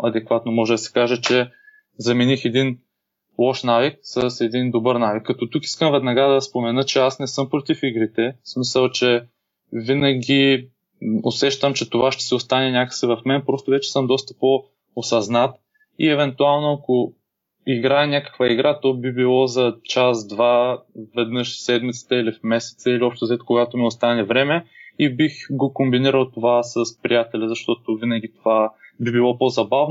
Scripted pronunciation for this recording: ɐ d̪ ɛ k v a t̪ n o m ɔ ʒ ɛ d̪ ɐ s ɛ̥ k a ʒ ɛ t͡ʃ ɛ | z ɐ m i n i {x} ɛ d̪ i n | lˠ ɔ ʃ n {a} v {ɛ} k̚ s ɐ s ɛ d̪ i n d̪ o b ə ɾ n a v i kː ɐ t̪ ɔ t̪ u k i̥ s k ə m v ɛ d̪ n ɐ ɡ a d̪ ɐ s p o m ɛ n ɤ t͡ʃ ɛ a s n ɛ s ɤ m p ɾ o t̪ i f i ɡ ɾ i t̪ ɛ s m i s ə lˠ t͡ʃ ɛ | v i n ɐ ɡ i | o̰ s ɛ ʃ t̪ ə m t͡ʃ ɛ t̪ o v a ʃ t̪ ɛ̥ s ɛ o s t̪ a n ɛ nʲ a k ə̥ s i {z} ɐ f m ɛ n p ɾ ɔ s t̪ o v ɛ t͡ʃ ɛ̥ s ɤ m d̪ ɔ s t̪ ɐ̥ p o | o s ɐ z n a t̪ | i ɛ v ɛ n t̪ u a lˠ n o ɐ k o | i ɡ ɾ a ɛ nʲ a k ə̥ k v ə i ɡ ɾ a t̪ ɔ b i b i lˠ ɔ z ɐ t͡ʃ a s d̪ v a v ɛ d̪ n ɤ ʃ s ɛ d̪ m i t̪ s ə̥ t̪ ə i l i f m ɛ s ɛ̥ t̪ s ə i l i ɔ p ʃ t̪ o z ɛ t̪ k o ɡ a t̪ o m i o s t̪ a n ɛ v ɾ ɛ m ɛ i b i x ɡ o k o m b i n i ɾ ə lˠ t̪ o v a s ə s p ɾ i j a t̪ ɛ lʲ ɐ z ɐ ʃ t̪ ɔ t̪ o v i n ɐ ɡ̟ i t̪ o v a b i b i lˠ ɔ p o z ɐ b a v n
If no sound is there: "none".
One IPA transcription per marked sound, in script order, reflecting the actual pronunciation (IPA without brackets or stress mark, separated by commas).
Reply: x, a, i, v